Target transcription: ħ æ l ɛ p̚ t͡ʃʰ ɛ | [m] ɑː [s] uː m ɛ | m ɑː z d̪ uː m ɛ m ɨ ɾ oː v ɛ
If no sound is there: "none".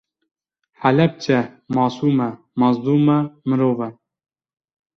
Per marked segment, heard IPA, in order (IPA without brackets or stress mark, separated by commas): m, s